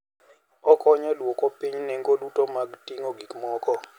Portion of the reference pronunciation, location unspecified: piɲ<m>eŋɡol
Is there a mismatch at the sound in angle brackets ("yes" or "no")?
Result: yes